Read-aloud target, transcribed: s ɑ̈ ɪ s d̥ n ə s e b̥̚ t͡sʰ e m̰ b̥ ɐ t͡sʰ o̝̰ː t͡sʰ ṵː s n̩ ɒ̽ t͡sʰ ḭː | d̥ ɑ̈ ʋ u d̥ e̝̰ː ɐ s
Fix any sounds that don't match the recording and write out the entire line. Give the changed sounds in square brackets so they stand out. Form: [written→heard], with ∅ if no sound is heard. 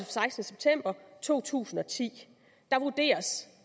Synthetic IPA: s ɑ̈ ɪ s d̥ n ə s e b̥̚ t͡sʰ e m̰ b̥ ɐ t͡sʰ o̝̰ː t͡sʰ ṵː s n̩ ɒ̽ t͡sʰ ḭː | d̥ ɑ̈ ʋ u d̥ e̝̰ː ɐ s